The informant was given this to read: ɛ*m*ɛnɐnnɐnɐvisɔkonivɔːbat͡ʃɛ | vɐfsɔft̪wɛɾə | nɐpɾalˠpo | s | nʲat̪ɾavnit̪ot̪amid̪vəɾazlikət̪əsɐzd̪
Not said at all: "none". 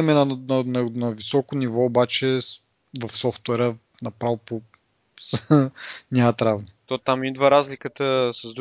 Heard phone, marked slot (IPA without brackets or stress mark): m